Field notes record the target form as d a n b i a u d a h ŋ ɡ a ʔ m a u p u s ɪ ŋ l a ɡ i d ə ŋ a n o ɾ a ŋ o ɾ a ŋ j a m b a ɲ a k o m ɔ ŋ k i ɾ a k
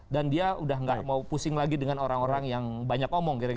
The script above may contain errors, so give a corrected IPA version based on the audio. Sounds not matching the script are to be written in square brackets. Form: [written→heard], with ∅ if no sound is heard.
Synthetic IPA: d a n [b→d] i a u d a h ŋ ɡ a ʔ m a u p u s ɪ ŋ l a ɡ i d ə ŋ a n o ɾ a ŋ o ɾ a ŋ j a [m→ŋ] b a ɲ a k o m ɔ ŋ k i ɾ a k